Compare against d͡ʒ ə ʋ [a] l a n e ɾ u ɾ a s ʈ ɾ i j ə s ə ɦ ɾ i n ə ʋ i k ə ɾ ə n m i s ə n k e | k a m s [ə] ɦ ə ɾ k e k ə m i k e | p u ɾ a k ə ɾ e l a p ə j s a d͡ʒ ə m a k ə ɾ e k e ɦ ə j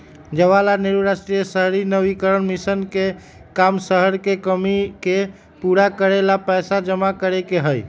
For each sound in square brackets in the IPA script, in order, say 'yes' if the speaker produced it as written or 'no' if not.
yes, yes

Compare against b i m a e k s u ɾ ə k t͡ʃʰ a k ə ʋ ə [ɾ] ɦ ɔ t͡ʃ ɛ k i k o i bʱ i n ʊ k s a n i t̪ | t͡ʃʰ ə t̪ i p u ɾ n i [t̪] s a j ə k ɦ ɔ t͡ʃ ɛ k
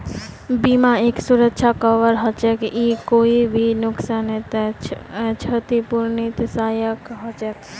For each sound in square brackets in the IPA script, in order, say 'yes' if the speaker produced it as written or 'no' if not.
yes, yes

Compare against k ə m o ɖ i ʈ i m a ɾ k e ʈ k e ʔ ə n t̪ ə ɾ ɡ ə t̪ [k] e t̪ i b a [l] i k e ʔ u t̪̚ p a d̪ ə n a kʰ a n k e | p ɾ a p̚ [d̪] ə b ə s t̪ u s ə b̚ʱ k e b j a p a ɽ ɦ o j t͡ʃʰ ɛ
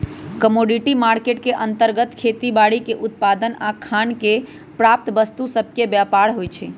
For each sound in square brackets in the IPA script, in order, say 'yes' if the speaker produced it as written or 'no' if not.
no, no, no

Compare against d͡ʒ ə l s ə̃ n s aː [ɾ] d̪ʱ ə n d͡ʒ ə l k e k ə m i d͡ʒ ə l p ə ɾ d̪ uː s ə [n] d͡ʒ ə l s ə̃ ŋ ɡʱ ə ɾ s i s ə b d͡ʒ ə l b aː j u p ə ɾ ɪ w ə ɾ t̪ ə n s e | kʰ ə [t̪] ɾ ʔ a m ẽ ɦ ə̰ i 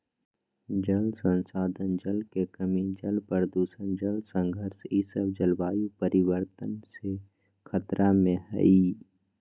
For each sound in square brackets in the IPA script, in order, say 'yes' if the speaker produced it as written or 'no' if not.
no, yes, yes

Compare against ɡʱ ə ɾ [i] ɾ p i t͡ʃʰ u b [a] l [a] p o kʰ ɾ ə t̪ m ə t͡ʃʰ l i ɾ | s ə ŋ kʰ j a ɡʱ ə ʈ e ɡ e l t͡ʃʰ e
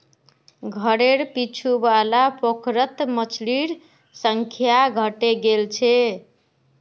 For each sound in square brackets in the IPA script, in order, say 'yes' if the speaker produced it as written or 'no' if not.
no, yes, yes

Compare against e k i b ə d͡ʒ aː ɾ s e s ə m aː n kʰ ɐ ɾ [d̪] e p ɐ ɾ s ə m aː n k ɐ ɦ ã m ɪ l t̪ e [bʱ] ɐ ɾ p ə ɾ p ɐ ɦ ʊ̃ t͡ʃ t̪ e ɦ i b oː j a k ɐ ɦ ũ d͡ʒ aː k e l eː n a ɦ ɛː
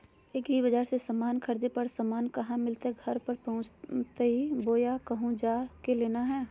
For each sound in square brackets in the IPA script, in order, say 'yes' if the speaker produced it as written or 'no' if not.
yes, no

